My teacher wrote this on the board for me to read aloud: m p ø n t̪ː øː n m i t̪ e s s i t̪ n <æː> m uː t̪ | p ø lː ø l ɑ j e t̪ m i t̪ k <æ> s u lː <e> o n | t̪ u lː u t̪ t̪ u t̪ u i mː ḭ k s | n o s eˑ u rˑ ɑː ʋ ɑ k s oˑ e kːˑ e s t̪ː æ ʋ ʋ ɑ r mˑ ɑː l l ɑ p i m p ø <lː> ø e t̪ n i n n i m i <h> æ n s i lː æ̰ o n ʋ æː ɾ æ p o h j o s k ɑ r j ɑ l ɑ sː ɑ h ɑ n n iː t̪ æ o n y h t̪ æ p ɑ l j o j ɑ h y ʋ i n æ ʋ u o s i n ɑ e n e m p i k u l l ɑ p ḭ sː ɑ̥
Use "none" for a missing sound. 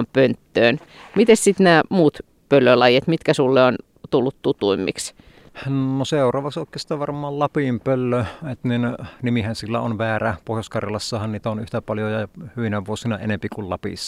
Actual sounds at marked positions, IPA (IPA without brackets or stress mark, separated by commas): æː, æ, e, lː, h